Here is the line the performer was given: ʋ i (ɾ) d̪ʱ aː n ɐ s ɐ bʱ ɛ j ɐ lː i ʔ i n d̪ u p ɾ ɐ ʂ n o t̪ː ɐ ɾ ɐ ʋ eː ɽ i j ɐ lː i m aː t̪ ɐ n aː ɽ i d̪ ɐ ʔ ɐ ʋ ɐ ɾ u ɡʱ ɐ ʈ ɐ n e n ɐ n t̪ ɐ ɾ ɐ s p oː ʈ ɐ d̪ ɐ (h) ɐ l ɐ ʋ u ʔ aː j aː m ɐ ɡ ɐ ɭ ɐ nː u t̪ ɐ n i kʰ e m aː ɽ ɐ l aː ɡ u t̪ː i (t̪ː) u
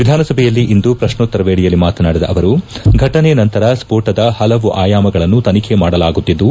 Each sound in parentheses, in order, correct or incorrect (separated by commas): incorrect, correct, incorrect